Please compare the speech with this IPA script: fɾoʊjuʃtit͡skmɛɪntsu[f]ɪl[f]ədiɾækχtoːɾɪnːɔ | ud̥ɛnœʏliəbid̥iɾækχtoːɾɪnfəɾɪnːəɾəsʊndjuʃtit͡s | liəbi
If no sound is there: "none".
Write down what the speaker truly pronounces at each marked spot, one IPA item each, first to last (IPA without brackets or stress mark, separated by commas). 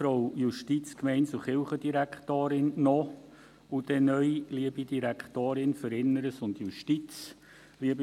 χ, χ